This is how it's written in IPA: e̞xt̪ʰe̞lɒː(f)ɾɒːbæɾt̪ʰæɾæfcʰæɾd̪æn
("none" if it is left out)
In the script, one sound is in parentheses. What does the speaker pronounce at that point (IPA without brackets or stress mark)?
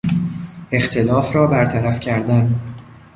f